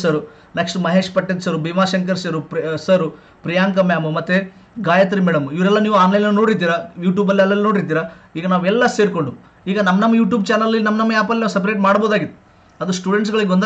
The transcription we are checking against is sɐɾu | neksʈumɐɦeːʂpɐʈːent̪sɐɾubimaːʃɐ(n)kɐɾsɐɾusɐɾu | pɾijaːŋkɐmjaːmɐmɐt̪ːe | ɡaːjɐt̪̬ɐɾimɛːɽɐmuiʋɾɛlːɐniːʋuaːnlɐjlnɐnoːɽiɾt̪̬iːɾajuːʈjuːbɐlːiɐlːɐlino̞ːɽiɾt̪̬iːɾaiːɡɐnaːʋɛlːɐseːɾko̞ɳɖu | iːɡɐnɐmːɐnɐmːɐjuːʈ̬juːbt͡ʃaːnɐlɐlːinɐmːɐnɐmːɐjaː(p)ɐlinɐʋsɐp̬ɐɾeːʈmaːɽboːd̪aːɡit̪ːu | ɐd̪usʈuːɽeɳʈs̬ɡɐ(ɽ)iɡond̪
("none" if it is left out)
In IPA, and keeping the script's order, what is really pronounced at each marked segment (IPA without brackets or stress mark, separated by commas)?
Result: ŋ, p, ɭ